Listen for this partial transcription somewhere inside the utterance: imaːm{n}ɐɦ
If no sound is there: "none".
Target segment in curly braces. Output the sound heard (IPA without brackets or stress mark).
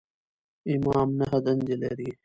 n